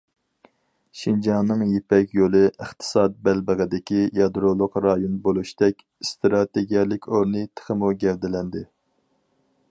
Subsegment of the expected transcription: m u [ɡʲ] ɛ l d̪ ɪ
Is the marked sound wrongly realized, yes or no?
no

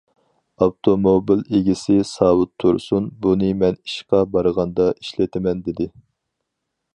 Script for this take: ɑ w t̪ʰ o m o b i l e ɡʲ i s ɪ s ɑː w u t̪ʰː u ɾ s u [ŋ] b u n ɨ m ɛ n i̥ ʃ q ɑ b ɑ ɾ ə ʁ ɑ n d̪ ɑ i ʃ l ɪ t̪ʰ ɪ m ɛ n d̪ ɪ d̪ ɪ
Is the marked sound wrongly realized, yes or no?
yes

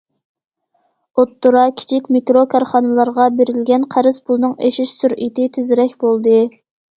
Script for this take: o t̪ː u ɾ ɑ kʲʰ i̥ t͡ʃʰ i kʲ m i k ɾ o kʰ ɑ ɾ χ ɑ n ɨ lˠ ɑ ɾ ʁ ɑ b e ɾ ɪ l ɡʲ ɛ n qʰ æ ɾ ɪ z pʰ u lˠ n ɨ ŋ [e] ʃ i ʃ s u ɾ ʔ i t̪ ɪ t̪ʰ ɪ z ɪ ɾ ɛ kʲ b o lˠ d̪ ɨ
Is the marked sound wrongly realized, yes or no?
no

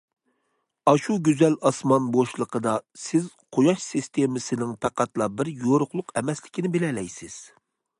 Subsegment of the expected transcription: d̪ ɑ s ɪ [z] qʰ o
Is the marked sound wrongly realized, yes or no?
no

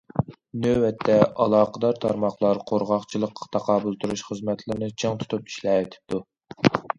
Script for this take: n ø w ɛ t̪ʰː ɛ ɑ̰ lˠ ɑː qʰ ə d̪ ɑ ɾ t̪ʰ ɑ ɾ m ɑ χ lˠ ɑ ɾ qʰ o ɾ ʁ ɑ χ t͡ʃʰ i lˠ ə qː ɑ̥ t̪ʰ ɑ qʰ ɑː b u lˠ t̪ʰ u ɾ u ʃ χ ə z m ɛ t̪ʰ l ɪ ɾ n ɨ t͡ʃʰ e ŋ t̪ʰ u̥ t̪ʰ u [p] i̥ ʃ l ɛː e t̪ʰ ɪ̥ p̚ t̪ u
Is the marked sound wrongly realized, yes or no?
no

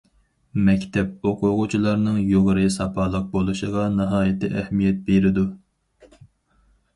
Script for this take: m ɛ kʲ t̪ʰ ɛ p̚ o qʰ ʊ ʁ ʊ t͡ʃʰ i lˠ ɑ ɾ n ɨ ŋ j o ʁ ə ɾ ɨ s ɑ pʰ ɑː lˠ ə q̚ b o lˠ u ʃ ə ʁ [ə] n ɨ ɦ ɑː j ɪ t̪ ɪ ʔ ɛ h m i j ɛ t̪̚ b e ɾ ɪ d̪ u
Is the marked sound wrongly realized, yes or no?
yes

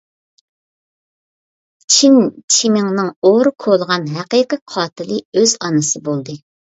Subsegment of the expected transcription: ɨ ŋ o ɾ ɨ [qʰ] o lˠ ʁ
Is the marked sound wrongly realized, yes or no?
yes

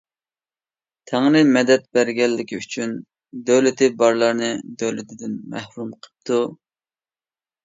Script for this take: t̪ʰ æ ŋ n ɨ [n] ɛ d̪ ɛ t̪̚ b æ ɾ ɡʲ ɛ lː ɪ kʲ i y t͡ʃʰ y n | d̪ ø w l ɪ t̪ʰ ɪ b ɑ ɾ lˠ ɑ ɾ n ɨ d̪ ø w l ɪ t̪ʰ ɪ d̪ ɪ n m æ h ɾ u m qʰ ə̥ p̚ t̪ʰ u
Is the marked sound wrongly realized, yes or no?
yes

